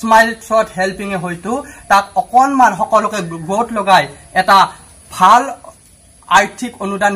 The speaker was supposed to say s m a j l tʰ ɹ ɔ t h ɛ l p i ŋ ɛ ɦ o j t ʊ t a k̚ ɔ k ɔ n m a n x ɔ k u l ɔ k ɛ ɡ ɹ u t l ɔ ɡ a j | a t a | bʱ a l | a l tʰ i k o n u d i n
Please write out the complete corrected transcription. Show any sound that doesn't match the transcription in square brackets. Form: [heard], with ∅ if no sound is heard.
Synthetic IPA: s m a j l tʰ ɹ ɔ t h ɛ l p i ŋ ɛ ɦ o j t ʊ t a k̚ ɔ k ɔ n m a n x ɔ k [ɔ] l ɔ k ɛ ɡ ɹ [o] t l ɔ ɡ a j | [ɛ] t a | bʱ a l | a [ɹ] tʰ i k o n u d [a] n